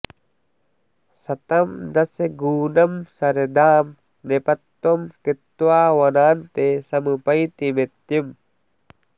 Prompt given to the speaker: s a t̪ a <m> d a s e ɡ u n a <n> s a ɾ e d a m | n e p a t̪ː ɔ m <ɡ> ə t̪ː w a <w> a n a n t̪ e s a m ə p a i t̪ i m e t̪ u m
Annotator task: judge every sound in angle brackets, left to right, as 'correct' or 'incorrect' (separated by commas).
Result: correct, incorrect, incorrect, correct